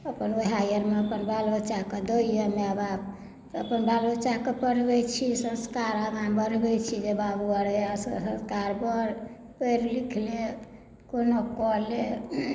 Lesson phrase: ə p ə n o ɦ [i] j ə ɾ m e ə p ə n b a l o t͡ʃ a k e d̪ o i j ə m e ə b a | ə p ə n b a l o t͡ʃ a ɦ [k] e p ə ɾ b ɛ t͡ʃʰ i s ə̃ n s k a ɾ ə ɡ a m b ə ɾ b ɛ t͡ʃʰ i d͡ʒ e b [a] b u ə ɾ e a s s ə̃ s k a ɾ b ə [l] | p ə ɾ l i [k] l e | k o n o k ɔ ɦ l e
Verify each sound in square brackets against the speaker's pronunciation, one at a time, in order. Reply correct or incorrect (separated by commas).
incorrect, correct, correct, incorrect, incorrect